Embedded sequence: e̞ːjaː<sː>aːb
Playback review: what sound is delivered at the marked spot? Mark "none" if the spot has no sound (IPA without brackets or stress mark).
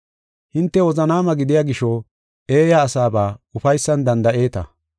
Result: s